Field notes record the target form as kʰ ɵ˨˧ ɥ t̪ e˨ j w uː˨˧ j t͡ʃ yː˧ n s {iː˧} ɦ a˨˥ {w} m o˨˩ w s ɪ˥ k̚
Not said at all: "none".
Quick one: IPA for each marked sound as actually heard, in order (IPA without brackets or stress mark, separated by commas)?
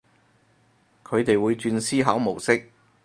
iː˥, w